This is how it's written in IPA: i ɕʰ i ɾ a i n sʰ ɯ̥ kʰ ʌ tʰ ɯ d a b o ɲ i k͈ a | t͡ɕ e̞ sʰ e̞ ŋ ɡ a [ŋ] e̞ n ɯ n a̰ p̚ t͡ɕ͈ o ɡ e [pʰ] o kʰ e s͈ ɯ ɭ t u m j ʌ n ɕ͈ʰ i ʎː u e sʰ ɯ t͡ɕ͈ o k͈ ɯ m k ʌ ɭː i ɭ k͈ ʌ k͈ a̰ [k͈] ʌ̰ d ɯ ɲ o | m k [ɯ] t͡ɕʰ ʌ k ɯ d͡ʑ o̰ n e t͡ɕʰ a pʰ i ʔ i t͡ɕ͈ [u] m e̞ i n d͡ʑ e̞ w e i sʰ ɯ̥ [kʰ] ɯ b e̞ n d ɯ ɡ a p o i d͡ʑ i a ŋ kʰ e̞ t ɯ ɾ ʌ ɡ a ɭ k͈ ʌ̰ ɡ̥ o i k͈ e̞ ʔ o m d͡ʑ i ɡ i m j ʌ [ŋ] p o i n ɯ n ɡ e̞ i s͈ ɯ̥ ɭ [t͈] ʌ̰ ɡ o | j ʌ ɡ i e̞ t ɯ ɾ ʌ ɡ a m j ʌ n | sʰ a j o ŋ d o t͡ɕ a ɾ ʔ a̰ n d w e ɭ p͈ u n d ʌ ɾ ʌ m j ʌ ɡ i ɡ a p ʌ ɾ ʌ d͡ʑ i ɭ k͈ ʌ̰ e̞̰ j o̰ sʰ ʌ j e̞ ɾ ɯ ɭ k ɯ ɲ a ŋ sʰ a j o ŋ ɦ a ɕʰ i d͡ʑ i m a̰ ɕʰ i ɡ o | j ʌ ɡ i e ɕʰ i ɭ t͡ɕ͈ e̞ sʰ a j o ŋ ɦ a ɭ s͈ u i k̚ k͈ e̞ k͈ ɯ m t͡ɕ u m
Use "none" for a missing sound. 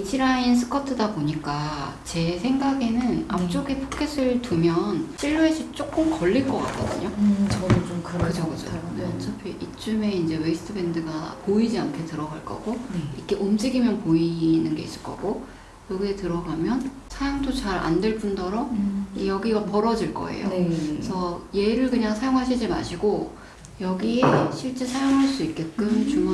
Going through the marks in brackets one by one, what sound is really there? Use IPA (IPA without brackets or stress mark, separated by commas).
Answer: ɡ, pʰ, k͈, ɯ, u, tʰ, n, k͈